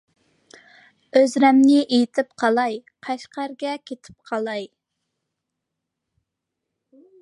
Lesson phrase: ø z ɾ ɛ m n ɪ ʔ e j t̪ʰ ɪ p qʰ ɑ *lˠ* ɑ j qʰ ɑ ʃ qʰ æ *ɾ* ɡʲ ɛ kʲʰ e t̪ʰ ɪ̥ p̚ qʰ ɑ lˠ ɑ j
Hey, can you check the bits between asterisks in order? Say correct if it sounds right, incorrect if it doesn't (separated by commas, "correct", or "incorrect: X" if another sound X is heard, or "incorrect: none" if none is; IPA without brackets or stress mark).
correct, correct